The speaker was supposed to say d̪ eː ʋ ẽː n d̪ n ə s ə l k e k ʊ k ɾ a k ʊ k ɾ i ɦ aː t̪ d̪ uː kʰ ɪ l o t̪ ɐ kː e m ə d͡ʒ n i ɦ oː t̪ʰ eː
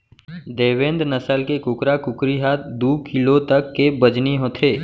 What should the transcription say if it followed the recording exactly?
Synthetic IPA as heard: d̪ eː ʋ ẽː n d̪ n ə s ə l k e k ʊ k ɾ a k ʊ k ɾ i ɦ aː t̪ d̪ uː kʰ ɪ l o t̪ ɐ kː e b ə d͡ʒ n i ɦ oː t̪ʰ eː